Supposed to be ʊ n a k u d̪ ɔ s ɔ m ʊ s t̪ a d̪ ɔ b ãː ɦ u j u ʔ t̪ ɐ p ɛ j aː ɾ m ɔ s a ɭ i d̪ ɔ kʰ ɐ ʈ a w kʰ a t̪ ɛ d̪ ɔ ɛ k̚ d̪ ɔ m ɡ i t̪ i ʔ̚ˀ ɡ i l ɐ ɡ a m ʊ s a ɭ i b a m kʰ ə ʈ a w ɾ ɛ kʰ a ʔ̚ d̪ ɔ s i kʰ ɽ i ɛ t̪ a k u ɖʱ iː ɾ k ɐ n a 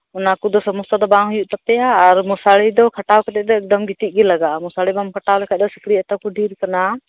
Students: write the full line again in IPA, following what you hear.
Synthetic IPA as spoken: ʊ n a k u d̪ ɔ s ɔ m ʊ s t̪ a d̪ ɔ b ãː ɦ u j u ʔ t̪ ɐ p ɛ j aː ɾ m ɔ s a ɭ i d̪ ɔ kʰ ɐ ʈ a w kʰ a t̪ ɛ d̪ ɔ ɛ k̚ d̪ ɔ m ɡ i t̪ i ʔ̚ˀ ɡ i l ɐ ɡ a m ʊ s a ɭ i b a m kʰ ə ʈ a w l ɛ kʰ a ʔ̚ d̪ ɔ s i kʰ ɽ i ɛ t̪ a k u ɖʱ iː ɾ k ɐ n a